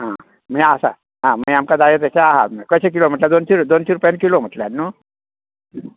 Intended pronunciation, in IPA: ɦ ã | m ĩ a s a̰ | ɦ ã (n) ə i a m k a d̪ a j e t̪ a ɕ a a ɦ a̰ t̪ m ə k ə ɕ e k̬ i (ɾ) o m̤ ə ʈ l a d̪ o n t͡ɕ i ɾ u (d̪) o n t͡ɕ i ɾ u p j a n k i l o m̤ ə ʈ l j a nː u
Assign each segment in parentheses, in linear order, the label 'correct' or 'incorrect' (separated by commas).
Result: incorrect, incorrect, correct